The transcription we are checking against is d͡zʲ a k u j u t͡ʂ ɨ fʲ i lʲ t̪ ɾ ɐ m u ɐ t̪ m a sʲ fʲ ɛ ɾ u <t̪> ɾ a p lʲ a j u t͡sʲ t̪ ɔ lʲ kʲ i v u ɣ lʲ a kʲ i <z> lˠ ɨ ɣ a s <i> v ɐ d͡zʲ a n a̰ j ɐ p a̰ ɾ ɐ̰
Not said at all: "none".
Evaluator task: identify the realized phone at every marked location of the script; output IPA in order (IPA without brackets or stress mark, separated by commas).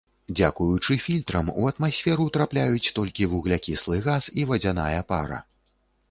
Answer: t̪, s, i